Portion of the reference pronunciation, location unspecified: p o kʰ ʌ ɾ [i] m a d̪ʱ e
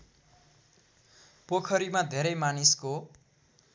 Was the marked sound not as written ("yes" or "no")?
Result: no